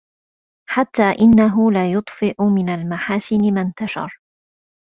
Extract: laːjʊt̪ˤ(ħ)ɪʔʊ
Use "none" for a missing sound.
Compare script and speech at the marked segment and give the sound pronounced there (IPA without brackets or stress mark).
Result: f